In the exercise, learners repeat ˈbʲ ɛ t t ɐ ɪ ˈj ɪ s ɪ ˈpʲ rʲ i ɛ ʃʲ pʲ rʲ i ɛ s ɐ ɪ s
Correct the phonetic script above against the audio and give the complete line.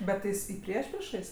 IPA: ˈbʲ ɛ t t ɐ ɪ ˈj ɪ s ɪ ˈpʲ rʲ i ɛ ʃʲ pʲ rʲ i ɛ ʃ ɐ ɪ s

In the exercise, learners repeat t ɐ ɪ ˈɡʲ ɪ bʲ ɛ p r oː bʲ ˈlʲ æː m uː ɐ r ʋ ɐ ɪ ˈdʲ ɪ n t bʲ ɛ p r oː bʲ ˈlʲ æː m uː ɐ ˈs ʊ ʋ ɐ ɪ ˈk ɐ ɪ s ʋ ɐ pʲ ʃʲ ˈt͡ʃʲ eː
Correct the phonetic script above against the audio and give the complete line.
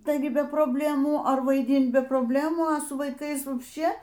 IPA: t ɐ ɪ ˈɡʲ ɪ bʲ ɛ p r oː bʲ ˈlʲ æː m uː ɐ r ʋ ɐ ɪ ˈdʲ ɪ n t bʲ ɛ p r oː bʲ ˈlʲ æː m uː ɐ ˈs ʊ ʋ ɐ ɪ ˈk ɐ ɪ s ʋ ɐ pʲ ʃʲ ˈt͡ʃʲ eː

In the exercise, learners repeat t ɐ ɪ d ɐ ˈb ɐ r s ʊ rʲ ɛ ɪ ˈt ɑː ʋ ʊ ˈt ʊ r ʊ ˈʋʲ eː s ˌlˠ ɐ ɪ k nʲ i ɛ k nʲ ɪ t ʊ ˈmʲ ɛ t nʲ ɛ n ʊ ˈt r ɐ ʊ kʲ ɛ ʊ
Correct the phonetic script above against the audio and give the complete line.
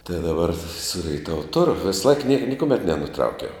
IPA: t ɐ ɪ d ɐ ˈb ɐ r s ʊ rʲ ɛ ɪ ˈt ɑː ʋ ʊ ˈt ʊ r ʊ ˈʋʲ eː s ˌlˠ ɐ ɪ k nʲ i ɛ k nʲ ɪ k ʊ ˈmʲ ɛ t nʲ ɛ n ʊ ˈt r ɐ ʊ kʲ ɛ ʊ

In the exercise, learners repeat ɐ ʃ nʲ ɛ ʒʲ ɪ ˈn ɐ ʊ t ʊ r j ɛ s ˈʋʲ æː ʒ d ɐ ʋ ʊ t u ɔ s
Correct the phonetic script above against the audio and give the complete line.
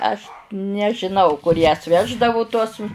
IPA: ɐ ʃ nʲ ɛ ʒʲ ɪ ˈn ɐ ʊ k ʊ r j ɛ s ˈʋʲ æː ʒ d ɐ ʋ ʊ t u ɔ s

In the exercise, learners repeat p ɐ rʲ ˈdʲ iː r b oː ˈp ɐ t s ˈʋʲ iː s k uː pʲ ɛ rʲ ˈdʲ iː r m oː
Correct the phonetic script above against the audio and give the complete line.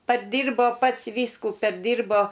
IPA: p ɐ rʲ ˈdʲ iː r b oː ˈp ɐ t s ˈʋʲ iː s k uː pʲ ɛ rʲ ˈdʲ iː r b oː

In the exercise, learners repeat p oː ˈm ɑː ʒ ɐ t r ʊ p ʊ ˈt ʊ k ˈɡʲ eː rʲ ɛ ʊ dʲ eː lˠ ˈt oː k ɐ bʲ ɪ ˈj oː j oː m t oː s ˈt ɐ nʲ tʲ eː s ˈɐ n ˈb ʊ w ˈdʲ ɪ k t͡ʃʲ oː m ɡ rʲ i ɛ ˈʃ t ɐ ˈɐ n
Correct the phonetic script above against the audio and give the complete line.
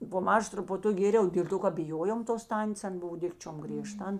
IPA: p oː ˈm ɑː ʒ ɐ t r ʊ p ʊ ˈt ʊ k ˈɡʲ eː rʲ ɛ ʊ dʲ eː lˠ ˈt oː k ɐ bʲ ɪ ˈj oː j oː m t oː s ˈt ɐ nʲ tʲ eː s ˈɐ n ˈb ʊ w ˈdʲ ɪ k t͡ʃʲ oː m ɡ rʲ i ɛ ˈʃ t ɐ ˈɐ n

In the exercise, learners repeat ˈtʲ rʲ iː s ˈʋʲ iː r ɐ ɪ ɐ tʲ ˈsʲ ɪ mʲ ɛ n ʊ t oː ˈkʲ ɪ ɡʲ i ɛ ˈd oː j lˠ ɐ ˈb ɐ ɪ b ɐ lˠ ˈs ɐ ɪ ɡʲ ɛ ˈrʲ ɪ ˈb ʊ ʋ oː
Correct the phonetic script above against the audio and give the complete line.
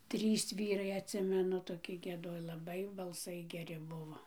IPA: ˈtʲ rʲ iː s ˈʋʲ iː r ɐ ɪ ɐ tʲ ˈsʲ ɪ mʲ ɛ n ʊ t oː ˈkʲ ɪ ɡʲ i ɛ ˈd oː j lˠ ɐ ˈb ɐ ɪ b ɐ lˠ ˈs ɐ ɪ ɡʲ ɛ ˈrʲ ɪ ˈb ʊ ʋ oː

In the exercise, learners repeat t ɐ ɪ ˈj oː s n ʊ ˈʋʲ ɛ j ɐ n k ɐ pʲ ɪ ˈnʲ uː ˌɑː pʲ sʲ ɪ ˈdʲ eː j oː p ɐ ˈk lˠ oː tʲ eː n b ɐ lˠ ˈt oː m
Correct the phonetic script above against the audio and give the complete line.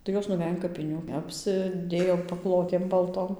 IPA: t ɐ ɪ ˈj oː s n ʊ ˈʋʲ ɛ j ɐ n k ɐ pʲ ɪ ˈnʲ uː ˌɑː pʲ sʲ ɪ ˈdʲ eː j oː p ɐ ˈk lˠ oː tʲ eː m b ɐ lˠ ˈt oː m

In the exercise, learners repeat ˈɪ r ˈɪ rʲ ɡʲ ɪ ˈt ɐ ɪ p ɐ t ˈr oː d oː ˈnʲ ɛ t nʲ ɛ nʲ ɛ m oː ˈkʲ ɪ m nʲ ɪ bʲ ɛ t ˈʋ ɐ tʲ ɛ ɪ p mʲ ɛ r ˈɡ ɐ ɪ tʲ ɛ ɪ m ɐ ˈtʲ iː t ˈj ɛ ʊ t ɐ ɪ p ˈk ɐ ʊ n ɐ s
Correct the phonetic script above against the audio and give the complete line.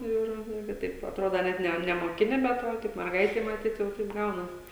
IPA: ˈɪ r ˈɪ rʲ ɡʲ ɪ ˈt ɐ ɪ p ɐ t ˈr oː d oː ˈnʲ ɛ t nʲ ɛ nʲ ɛ m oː ˈkʲ ɪ nʲ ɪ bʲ ɛ t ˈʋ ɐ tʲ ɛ ɪ p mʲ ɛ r ˈɡ ɐ ɪ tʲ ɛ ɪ m ɐ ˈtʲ iː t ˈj ɛ ʊ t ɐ ɪ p ˈɡ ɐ ʊ n ɐ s

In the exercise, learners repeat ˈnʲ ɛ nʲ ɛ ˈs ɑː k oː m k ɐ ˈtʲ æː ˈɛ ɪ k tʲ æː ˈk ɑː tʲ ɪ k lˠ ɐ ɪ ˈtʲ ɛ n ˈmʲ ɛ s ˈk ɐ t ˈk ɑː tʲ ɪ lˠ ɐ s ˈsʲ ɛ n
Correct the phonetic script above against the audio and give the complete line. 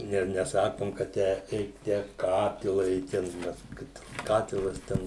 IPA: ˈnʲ ɛ nʲ ɛ ˈs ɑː k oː m k ɐ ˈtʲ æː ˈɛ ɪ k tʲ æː ˈk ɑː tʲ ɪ lˠ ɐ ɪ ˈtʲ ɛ n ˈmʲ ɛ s ˈk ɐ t ˈk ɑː tʲ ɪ lˠ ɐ s ˈtʲ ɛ n

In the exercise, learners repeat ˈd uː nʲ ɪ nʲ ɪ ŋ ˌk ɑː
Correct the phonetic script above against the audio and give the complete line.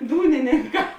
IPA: ˈd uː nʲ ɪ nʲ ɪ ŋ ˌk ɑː

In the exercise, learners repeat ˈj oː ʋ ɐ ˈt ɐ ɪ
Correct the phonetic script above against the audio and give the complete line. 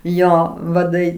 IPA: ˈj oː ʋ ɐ ˈd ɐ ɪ

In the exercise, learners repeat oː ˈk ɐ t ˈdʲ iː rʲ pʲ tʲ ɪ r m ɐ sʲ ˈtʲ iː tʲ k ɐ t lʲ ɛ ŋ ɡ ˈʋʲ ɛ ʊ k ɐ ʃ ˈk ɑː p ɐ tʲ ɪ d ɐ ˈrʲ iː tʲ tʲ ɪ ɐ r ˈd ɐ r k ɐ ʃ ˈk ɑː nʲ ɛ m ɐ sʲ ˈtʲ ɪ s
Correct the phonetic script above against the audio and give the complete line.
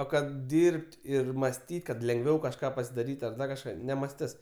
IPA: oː ˈk ɐ t ˈdʲ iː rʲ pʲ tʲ ɪ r m ɐ sʲ ˈtʲ iː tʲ k ɐ t lʲ ɛ ŋ ɡ ˈʋʲ ɛ ʊ k ɐ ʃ ˈk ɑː p ɐ sʲ ɪ d ɐ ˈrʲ iː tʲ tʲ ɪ ɐ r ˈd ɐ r k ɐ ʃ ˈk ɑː nʲ ɛ m ɐ sʲ ˈtʲ ɪ s

